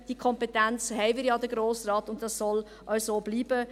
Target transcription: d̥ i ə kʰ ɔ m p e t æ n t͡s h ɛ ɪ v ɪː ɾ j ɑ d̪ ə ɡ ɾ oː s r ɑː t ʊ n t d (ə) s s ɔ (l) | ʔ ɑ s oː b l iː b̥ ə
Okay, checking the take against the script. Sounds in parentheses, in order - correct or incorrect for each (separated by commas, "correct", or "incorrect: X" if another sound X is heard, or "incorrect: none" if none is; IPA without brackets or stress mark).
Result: incorrect: ɑ, correct